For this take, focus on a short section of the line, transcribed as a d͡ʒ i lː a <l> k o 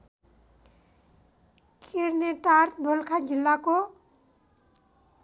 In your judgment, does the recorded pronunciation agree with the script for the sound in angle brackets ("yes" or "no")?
no